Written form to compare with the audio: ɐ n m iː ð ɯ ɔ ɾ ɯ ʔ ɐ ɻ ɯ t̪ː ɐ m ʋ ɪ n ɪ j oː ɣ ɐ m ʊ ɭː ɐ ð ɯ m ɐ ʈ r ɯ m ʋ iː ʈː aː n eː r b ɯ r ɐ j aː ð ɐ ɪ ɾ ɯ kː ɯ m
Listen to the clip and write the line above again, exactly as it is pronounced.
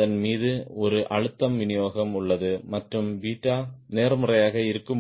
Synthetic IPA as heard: ɐ n m iː ð ɯ ɔ ɾ ɯ ʔ ɐ ɻ ɯ t̪ː ɐ m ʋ ɪ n ɪ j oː ɣ ɐ m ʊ ɭː ɐ ð ɯ m ɐ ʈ r ɯ m ʋ iː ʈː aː n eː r m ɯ r ɐ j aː ɣ ɐ ɪ ɾ ɯ kː ɯ m